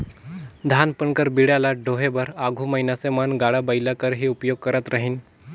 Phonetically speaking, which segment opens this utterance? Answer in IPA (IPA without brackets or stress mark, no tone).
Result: d̪ʱ